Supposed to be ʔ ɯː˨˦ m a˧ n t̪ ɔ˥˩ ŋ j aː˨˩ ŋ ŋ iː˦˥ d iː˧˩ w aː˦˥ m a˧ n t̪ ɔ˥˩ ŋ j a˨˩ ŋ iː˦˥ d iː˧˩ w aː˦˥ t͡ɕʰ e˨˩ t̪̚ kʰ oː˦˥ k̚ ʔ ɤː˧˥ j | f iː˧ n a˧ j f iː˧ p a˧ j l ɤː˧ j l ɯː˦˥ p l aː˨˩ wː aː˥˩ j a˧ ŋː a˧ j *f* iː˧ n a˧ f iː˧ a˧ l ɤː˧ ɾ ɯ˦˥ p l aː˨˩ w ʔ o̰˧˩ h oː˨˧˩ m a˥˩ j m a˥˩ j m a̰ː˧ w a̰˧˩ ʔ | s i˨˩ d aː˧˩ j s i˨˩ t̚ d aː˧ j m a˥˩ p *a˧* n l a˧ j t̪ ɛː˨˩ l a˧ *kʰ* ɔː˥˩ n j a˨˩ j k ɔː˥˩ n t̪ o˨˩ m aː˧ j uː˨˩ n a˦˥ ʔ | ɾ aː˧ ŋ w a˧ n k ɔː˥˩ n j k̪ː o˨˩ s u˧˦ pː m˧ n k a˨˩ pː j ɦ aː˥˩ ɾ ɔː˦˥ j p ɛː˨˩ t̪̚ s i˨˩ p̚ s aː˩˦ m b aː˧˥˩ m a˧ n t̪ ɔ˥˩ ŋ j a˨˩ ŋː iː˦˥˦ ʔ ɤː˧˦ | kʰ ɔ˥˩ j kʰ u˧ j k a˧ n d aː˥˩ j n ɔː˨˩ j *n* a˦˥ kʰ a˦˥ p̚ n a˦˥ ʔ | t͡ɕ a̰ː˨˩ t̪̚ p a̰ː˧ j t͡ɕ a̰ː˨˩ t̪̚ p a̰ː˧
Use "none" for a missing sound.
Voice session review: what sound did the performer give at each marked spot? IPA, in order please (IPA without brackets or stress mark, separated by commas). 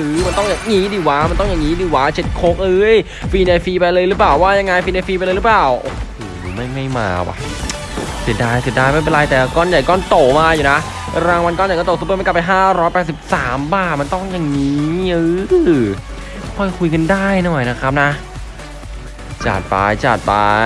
f, e˧, k, n